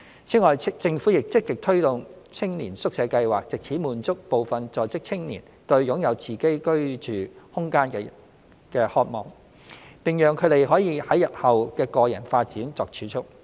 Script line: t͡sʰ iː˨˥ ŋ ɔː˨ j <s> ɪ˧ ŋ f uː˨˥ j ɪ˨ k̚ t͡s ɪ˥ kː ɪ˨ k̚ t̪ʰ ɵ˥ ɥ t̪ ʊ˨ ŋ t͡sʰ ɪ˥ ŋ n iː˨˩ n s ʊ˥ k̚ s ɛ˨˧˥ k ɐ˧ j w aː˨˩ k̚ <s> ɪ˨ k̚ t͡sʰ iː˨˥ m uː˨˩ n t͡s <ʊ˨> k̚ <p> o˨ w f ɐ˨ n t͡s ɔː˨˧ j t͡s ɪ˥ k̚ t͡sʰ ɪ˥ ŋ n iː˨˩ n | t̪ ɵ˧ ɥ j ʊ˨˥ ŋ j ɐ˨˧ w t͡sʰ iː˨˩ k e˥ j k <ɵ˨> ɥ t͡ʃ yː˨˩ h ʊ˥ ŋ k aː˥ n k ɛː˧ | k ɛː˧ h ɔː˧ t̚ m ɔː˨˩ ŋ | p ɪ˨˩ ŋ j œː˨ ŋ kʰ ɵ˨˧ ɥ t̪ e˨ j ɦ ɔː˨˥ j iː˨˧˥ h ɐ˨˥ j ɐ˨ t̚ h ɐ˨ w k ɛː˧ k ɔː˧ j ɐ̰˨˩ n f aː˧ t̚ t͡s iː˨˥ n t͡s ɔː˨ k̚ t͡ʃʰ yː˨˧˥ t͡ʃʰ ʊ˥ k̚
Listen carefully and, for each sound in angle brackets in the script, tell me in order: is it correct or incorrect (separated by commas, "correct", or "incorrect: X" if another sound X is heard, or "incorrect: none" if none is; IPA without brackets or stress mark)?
incorrect: t͡s, incorrect: t͡s, incorrect: ʊ˥, correct, incorrect: ɵ˥